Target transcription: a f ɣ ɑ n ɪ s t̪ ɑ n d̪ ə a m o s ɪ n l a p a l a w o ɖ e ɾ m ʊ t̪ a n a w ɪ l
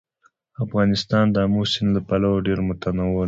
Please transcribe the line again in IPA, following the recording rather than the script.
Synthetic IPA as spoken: a f ɣ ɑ n ɪ s t̪ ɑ n d̪ ə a m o s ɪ n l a p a l a w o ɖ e ɾ m ʊ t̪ a n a w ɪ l